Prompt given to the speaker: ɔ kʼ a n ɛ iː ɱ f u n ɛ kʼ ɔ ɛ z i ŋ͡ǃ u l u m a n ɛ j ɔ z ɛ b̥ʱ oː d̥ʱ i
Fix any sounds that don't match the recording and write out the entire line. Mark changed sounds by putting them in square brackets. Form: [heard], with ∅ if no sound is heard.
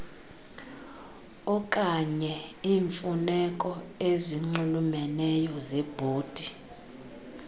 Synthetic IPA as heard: ɔ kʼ a [ɲ] ɛ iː ɱ f u n ɛ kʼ ɔ [e] z i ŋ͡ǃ u l u m [ɛ] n ɛ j ɔ z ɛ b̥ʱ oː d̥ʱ i